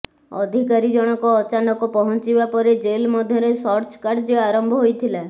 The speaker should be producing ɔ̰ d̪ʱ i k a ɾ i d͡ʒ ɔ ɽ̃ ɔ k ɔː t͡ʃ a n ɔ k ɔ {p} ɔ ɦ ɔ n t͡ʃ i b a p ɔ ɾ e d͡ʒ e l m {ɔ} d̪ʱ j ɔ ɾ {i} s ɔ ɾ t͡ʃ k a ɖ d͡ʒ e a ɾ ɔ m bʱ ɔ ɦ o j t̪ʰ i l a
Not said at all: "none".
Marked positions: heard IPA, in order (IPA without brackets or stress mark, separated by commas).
p, ɔ, e